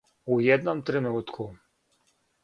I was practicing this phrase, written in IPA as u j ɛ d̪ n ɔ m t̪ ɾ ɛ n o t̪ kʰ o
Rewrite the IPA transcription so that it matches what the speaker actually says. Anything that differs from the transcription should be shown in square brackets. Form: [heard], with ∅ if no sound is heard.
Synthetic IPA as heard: u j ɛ d̪ n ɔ m t̪ ɾ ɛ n [u] t̪ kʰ [u]